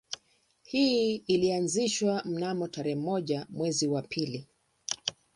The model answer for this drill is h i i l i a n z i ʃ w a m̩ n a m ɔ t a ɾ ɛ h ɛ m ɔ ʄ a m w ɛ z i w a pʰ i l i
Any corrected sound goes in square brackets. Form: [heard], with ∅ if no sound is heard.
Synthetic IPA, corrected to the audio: h i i l i a n z i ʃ w a m̩ n a m ɔ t a ɾ ɛ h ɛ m ɔ ʄ a m w ɛ z i w a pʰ i l i